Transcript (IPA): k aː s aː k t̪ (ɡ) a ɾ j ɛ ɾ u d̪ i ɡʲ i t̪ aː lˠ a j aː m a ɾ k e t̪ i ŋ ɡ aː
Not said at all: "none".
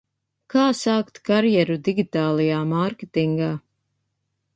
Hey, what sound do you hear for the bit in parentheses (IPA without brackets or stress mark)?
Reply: k